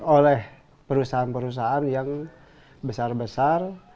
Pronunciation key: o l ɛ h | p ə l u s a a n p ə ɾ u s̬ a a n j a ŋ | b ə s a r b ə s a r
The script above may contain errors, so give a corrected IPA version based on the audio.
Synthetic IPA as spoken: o l ɛ h | p ə ɾ u s a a n p ə ɾ u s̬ a a n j a ŋ | b ə s a r b ə s a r